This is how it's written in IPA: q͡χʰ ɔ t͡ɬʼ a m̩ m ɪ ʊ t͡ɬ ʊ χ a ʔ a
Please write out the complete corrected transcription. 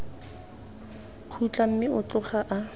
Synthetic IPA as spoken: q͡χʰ u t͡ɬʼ a m̩ m ɪ ʊ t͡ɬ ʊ χ a ʔ a